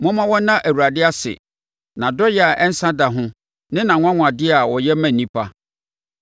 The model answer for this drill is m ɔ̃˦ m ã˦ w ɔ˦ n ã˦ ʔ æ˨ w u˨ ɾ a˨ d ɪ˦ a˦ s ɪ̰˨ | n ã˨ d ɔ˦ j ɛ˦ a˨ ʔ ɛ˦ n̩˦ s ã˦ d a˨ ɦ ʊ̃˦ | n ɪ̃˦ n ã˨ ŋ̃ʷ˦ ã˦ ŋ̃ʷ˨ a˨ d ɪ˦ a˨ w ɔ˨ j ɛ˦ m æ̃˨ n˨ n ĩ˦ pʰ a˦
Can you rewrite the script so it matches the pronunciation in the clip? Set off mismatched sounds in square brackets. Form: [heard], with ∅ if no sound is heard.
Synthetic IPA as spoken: m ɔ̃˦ m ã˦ w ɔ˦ n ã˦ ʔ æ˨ w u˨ ɾ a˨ d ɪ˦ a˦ s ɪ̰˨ | n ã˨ d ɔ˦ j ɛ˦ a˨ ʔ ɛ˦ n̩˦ s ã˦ d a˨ ɦ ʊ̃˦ | n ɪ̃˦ n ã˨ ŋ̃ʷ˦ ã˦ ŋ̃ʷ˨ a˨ d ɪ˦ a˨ w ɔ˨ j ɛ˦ m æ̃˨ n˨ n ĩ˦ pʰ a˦